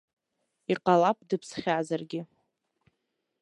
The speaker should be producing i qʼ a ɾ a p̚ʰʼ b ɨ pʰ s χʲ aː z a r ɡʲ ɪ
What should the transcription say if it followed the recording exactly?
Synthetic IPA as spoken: i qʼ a l a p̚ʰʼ d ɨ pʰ s χʲ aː z a r ɡʲ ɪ